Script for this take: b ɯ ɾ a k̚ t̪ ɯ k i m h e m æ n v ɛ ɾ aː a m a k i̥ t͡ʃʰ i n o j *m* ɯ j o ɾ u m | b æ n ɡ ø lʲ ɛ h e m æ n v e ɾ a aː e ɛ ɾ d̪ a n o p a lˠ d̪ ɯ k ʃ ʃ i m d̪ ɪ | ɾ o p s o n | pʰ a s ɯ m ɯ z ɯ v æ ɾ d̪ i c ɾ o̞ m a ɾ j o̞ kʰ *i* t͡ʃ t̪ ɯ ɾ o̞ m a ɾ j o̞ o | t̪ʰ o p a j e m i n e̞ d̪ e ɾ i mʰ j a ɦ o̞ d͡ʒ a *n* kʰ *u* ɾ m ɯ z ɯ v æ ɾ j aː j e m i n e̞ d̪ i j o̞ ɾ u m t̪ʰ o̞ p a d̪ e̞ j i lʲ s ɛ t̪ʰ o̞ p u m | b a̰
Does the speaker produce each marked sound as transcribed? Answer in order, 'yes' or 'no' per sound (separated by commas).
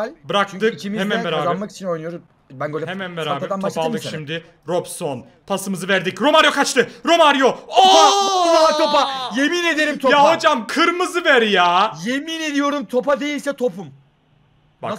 no, no, no, no